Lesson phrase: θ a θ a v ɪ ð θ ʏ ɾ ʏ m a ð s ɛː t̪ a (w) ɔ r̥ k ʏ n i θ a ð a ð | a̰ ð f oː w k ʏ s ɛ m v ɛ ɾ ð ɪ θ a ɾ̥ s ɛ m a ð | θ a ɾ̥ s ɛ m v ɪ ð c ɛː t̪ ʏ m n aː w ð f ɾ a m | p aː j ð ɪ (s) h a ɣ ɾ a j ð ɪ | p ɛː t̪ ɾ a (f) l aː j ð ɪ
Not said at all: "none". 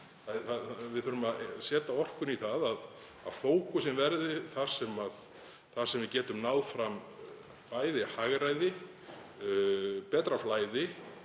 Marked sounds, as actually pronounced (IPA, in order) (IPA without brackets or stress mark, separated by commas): none, none, f